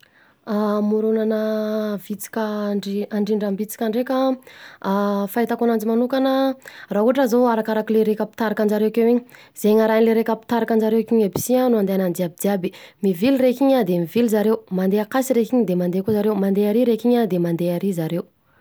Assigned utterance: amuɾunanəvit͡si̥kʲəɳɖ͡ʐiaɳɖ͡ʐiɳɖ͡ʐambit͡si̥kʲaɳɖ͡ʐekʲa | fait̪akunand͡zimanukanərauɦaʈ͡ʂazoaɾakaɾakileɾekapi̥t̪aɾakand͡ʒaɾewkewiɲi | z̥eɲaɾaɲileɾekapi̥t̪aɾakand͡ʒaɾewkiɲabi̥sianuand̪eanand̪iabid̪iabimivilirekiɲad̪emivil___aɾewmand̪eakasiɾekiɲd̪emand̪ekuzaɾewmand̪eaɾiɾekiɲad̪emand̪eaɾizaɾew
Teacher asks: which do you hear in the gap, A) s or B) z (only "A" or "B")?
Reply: B